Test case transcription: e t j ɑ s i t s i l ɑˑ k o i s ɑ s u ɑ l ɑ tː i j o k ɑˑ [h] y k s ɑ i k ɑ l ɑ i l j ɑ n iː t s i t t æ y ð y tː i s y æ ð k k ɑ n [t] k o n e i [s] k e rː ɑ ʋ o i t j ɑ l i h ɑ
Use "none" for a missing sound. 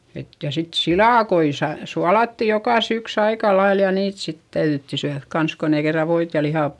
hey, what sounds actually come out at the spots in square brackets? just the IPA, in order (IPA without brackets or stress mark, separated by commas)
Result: s, s, none